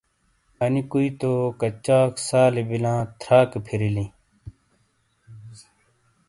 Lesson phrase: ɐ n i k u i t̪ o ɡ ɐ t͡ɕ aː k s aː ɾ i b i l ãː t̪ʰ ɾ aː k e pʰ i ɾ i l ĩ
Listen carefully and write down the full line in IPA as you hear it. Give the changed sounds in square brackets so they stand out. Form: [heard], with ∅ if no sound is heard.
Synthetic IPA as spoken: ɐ n i k u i t̪ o [k] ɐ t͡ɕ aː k s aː [l] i b i l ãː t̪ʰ ɾ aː k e pʰ i ɾ i l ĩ